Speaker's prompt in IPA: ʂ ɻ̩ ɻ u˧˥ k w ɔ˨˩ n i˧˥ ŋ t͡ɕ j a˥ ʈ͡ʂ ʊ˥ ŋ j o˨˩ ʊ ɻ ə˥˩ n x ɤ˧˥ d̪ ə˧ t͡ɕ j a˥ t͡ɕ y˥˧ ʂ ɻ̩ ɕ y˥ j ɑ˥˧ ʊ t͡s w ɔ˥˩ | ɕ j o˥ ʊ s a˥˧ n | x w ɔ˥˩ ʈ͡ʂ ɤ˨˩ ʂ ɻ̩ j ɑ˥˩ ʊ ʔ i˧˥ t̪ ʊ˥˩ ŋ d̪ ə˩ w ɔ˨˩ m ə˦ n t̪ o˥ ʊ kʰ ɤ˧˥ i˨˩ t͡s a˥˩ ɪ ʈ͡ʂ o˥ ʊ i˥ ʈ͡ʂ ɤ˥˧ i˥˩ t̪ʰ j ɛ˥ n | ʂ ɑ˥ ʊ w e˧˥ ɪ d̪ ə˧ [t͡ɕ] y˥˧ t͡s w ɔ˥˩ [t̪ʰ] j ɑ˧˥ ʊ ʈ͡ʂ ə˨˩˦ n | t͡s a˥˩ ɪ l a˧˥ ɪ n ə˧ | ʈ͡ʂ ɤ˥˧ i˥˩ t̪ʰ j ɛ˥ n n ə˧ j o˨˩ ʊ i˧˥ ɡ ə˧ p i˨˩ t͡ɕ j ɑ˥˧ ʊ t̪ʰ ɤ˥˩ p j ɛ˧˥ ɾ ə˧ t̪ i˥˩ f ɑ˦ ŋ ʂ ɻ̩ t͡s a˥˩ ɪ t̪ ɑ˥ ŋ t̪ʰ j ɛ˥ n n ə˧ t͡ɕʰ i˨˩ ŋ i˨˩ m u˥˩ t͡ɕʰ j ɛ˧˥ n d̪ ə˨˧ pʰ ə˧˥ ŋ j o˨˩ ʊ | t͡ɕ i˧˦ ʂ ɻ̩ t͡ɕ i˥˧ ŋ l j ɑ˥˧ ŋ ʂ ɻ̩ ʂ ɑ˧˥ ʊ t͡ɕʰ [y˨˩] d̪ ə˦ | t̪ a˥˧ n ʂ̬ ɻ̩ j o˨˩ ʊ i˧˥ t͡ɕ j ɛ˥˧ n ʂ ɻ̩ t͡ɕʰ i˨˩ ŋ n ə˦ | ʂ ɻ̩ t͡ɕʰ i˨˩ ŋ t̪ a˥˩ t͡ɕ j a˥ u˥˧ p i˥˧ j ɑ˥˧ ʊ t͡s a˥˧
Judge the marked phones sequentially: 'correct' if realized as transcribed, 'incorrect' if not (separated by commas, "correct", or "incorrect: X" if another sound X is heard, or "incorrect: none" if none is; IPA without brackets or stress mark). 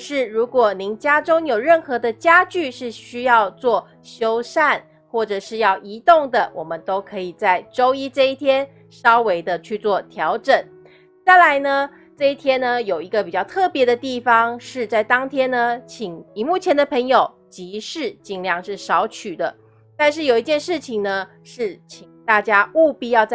incorrect: t͡ɕʰ, correct, correct